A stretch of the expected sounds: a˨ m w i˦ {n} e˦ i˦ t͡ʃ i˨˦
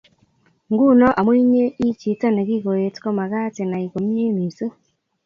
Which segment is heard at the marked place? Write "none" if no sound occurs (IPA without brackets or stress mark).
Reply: ɲ